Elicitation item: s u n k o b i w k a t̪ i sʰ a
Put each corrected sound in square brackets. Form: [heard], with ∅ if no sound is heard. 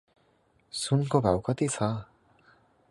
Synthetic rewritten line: s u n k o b [a] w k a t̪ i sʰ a